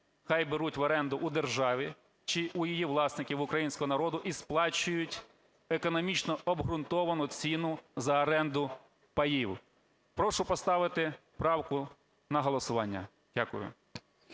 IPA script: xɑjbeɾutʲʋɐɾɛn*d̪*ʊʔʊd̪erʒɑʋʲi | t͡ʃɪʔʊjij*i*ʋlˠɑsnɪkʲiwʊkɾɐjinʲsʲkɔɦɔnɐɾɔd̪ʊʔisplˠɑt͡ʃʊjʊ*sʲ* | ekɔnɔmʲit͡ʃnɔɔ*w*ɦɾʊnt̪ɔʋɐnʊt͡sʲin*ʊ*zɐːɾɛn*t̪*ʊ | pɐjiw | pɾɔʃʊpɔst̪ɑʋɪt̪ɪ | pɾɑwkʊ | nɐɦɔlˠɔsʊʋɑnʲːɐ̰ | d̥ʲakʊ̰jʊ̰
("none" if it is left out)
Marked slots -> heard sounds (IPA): d̪, i, tʲ, b, ʊ, d̪

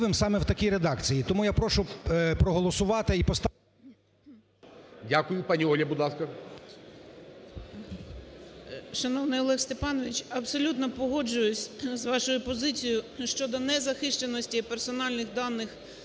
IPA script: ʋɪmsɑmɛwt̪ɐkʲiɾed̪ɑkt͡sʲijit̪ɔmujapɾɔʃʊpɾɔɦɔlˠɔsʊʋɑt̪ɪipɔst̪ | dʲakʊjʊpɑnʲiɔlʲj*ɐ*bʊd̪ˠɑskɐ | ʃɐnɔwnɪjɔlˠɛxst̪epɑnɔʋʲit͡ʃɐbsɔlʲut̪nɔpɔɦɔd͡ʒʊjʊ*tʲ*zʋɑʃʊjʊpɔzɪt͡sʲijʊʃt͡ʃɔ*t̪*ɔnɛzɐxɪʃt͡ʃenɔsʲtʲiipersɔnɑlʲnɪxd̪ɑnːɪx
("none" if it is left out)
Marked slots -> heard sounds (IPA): ɐ, sʲ, d̪

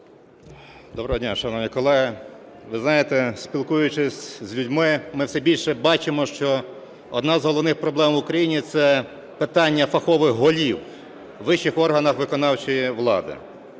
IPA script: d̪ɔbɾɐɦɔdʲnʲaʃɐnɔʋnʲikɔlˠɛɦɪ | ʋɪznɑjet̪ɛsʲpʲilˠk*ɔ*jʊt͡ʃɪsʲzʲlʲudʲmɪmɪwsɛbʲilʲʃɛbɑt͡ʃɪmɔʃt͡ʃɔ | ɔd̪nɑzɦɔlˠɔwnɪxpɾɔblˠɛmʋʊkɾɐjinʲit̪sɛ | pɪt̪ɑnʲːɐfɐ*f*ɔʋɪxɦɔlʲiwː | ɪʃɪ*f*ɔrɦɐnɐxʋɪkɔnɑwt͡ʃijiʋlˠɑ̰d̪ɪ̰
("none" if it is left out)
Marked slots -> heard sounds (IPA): u, x, x

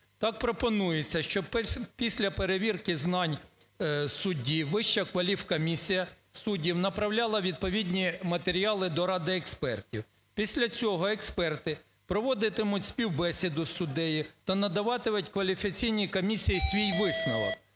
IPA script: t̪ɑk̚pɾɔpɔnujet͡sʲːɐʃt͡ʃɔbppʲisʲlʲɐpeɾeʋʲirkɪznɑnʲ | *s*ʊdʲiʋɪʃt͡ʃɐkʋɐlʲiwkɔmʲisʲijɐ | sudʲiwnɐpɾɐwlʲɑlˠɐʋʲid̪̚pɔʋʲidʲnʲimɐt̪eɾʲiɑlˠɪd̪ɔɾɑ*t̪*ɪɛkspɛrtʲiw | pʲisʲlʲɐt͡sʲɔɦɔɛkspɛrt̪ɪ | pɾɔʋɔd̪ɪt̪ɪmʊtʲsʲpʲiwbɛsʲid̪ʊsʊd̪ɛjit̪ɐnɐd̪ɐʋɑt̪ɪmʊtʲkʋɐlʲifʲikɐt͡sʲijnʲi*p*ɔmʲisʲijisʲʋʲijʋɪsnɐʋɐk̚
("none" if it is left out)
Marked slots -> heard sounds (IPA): s, d̪, k

